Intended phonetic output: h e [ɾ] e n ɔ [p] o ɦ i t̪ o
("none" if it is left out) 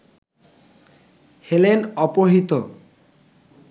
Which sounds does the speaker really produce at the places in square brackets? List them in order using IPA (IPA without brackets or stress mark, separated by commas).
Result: l, p